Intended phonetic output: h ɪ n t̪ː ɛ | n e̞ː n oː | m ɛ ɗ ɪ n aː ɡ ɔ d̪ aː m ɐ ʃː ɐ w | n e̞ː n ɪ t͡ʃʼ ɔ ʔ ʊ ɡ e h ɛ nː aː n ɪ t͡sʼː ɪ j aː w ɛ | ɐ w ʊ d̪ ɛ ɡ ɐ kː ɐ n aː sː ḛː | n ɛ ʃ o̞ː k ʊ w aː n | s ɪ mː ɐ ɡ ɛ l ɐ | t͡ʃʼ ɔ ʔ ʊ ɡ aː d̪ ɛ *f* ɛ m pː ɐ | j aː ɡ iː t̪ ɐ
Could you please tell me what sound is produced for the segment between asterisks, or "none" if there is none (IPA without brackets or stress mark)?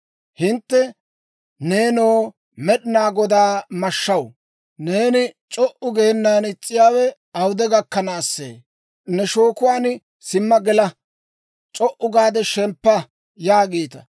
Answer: ʃ